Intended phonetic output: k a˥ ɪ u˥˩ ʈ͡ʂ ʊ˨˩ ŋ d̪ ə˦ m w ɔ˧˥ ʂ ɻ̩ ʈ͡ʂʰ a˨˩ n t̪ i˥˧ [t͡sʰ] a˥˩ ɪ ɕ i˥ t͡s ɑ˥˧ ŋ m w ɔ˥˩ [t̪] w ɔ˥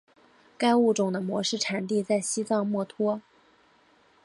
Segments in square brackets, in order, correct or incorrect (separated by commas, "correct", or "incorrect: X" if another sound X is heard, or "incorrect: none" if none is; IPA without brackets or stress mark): incorrect: t͡s, incorrect: t̪ʰ